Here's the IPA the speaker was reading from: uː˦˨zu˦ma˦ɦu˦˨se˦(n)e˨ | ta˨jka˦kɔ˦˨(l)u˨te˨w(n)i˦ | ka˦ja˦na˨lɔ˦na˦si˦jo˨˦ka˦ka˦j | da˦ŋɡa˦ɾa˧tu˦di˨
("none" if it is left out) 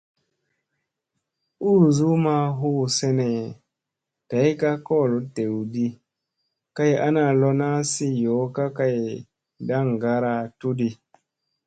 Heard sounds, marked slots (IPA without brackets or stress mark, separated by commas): n, l, d